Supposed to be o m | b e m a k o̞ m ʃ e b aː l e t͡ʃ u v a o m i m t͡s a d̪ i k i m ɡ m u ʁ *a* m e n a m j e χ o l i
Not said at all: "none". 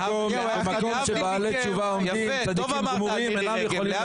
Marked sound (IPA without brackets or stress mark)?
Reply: i